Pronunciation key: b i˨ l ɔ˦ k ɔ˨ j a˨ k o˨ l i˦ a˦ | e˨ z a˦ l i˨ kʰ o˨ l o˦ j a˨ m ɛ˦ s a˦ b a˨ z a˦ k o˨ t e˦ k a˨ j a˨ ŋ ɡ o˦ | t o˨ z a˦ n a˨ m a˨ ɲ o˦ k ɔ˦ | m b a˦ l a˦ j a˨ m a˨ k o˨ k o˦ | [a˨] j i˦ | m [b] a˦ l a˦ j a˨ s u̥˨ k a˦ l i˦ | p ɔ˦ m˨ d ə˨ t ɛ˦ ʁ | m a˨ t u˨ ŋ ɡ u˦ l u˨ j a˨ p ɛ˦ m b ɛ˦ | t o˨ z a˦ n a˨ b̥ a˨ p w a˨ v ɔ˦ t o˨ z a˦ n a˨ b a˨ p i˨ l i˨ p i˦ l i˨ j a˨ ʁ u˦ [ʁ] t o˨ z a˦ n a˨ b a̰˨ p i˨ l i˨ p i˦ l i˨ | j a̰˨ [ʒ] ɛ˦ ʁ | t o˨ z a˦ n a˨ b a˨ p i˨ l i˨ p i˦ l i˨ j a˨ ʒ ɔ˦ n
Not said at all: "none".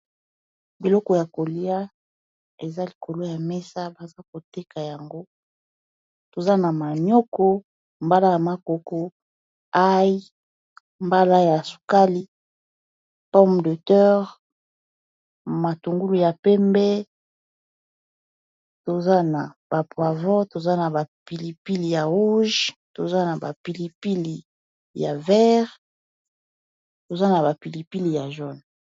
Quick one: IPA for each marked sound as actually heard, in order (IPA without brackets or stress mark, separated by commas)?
a˦, b, ʒ, v